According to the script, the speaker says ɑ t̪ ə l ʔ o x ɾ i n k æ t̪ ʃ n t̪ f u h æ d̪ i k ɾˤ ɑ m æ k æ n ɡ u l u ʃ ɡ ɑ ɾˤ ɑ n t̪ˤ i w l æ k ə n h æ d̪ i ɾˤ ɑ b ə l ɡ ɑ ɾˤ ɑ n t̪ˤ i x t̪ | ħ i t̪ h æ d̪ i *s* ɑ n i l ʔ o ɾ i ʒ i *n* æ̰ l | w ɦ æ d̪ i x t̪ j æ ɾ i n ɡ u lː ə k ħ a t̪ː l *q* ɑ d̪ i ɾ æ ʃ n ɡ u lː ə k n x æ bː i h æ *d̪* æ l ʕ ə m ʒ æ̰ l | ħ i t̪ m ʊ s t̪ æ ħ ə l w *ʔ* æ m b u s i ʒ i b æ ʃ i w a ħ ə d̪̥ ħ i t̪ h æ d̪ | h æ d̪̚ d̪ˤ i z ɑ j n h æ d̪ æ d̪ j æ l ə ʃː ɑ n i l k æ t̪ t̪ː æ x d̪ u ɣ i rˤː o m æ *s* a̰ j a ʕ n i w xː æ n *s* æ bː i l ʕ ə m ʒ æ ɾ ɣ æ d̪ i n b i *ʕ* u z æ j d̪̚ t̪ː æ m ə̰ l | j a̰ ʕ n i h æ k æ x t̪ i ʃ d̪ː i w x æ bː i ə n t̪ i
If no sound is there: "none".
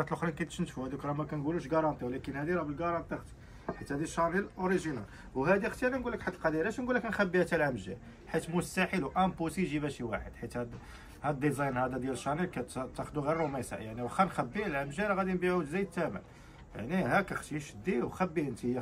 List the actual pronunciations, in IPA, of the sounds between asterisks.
ʃ, n, q, t̪, ʔ, s, x, ʕ

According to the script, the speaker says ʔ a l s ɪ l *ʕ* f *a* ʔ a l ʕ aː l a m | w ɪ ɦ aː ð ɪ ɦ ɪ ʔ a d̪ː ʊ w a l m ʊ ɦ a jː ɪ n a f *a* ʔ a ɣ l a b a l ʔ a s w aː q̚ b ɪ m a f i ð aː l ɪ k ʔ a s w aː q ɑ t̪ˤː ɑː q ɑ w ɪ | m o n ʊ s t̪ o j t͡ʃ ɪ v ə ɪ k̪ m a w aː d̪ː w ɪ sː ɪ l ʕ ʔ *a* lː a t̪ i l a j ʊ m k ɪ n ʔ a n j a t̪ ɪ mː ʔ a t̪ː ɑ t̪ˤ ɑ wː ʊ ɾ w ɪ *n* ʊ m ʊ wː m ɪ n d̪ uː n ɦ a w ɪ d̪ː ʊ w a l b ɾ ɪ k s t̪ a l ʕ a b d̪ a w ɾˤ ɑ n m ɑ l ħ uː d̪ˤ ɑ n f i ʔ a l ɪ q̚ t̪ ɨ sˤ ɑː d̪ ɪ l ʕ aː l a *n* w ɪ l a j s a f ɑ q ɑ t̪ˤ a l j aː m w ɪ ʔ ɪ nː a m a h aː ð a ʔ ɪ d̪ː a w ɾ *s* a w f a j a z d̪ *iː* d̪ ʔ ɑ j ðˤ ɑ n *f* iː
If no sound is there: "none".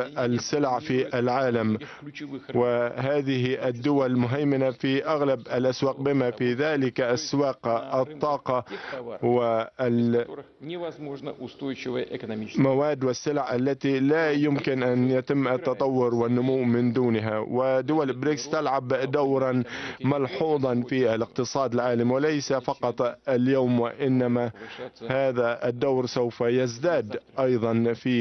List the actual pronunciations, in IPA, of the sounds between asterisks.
ʕ, i, i, a, nː, m, s, aː, f

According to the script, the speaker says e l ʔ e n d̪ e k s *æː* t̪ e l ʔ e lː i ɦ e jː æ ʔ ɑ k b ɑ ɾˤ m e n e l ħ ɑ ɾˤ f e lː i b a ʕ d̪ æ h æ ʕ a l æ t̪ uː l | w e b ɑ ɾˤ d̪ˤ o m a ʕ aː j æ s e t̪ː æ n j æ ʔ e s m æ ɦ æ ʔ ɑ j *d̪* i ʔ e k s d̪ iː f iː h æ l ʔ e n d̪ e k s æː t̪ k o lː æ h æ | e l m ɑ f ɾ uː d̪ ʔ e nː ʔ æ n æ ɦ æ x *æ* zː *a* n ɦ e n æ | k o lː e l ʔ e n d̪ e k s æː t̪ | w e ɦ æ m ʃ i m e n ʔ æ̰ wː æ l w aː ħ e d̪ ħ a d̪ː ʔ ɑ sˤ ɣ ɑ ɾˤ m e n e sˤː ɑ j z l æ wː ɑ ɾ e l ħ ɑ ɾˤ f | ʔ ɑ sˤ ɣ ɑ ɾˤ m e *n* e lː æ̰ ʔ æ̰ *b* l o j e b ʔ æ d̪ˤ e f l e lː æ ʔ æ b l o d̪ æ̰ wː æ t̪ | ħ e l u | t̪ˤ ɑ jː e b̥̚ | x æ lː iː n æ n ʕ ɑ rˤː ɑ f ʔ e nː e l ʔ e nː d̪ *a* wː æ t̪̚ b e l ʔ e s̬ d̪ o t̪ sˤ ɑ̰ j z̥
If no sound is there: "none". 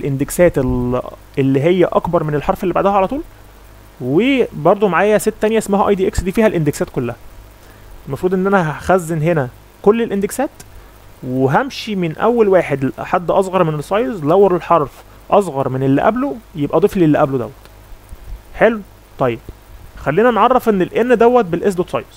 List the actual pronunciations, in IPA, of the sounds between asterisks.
æː, d̪, æ, e, n, b, æ

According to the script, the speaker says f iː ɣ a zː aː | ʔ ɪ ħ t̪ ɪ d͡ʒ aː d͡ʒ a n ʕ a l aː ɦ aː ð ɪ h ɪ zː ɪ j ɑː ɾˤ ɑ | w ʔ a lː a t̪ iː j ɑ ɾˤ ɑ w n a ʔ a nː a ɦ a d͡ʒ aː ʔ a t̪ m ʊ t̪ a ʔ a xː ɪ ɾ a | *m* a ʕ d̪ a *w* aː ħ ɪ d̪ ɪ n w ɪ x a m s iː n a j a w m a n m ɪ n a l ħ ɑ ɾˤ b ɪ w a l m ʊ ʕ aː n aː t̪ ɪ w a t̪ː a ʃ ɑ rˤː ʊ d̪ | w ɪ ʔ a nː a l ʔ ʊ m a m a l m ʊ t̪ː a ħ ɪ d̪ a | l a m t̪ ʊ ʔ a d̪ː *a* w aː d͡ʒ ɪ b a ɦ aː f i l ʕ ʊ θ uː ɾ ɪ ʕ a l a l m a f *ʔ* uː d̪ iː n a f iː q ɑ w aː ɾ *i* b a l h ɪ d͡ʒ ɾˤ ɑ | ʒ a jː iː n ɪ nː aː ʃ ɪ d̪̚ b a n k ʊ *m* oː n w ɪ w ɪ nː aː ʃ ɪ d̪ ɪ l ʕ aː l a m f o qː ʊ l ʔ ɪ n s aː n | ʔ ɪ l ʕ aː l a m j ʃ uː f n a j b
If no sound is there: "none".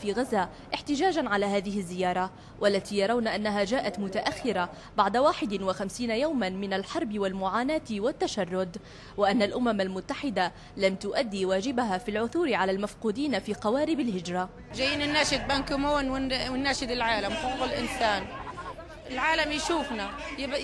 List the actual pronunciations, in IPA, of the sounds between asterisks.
b, w, i, q, ɪ, m

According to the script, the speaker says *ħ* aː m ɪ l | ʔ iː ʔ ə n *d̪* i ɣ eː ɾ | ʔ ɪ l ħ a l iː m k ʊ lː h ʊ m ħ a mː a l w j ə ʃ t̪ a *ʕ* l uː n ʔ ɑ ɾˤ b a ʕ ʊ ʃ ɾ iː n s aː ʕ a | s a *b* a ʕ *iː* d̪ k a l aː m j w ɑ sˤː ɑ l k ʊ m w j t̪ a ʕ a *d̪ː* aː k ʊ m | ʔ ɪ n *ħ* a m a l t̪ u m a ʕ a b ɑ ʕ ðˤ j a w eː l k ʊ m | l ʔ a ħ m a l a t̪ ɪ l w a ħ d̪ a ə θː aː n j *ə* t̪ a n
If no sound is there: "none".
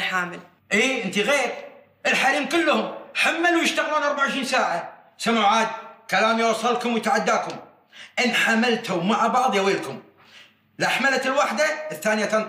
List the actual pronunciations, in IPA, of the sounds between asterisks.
ħ, t̪, ɣ, m, aː, d̪ː, ħ, a

